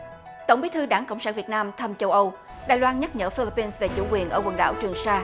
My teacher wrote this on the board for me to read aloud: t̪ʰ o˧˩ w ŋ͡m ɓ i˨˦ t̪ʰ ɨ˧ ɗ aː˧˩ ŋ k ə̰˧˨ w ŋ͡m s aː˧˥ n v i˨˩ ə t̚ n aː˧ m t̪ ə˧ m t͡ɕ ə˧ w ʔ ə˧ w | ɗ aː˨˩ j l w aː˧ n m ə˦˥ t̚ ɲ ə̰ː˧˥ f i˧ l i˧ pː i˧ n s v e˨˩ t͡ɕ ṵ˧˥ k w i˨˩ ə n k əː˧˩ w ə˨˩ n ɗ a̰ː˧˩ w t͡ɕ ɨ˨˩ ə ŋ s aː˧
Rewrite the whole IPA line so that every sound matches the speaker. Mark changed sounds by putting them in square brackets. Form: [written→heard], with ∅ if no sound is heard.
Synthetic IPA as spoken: [t̪ʰ→t̪] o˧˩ w ŋ͡m ɓ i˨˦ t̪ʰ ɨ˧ ɗ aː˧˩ ŋ k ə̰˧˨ w ŋ͡m s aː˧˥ n v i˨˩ ə t̚ n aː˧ m [t̪→t̪ʰ] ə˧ m t͡ɕ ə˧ w ʔ ə˧ w | ɗ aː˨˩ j l w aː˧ n [m→ɲ] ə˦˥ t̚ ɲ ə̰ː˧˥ f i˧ l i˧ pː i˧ n s v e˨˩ t͡ɕ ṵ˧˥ k w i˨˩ ə n [k→ʔ] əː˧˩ w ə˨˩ n ɗ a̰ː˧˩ w t͡ɕ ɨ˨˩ ə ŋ s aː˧